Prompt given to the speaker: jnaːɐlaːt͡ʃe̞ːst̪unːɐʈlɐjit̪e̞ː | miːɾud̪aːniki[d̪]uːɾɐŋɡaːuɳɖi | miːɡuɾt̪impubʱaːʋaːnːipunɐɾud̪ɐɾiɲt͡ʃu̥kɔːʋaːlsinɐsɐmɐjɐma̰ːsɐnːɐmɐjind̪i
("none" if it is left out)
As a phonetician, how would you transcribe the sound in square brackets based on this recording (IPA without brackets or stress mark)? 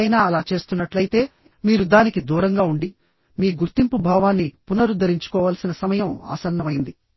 d̪